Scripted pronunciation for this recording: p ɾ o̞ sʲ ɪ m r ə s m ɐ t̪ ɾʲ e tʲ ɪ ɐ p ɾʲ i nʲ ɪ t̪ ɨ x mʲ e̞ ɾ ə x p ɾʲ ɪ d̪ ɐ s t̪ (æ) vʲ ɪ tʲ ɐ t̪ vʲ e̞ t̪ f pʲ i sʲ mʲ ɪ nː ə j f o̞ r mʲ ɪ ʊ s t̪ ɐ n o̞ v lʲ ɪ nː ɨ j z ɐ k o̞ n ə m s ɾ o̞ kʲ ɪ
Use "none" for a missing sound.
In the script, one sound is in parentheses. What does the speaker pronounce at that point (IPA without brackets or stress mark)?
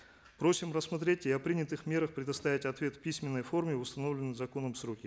a